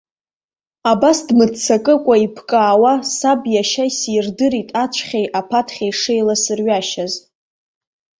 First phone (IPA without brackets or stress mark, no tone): a